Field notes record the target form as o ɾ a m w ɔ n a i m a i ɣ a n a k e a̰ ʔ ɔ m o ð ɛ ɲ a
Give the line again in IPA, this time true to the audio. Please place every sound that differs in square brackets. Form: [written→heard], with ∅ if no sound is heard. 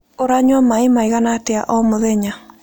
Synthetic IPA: o ɾ a [m→ɲ] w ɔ [n→m] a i m a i ɣ a n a [k→t] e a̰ ʔ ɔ m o ð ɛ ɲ a